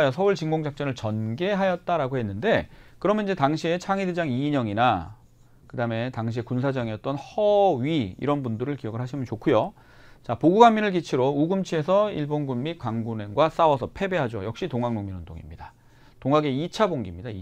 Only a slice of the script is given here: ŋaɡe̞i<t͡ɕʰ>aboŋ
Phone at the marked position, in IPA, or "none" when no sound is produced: t͡ɕʰ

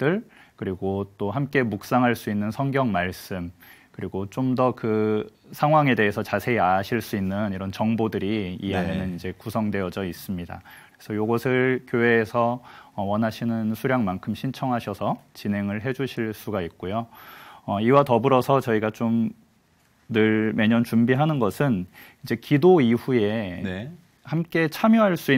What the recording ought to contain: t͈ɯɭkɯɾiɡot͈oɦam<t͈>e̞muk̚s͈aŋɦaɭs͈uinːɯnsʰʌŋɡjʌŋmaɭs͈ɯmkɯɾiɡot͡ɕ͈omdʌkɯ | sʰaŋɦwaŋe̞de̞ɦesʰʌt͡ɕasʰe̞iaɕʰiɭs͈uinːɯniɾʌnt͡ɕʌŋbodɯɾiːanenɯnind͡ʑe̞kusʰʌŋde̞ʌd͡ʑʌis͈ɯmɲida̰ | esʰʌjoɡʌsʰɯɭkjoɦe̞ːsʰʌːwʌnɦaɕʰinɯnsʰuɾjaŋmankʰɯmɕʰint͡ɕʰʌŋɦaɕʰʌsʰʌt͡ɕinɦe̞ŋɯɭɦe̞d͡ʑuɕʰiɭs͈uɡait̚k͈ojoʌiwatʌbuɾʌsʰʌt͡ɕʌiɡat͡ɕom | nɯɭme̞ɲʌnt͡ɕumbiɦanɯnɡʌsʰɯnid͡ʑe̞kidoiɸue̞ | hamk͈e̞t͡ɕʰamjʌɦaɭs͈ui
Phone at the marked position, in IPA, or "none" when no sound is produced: k͈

